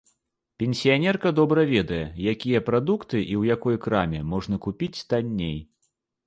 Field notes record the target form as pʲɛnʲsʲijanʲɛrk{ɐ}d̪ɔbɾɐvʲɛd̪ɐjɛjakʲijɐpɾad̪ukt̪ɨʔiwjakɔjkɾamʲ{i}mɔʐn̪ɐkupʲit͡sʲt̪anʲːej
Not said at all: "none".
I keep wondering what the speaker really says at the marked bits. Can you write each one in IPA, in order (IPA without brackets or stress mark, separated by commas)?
ɐ, ɛ